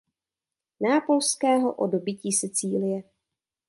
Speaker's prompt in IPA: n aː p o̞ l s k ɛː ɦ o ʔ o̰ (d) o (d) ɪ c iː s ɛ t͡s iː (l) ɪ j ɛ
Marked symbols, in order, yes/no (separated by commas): yes, no, yes